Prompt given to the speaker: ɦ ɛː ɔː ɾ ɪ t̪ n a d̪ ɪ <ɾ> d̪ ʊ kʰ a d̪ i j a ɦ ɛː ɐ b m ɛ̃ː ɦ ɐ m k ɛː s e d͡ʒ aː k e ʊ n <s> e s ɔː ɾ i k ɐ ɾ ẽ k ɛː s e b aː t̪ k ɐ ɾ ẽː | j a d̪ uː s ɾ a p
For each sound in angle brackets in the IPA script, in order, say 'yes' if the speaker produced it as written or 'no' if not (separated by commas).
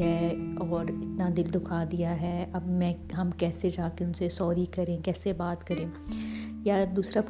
no, yes